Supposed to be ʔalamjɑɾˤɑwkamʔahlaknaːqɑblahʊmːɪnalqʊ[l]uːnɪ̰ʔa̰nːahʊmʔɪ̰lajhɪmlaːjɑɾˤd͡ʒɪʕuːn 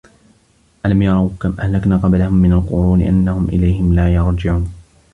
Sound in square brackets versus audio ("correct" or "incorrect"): incorrect